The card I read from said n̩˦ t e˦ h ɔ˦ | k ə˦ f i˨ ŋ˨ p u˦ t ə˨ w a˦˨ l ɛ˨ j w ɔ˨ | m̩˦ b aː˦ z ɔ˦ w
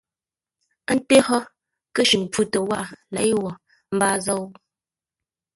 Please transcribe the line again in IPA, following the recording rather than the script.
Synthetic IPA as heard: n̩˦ t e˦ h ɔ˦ | k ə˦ ʃ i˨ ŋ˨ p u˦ t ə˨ w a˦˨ l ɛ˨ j w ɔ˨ | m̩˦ b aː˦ z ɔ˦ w